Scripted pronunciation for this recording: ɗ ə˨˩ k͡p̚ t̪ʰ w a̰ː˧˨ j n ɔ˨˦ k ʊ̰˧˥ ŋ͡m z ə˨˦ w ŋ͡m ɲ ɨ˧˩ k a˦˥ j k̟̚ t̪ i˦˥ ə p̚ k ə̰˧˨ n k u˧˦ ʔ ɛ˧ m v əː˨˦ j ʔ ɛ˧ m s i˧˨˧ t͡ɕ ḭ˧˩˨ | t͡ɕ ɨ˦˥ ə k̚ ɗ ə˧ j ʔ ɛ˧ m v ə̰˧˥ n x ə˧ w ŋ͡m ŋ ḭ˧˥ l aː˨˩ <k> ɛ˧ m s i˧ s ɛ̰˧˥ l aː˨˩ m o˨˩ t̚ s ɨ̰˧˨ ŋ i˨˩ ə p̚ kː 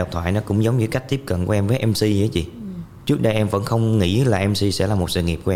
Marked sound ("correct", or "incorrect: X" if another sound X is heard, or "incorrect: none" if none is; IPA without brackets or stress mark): incorrect: ʔ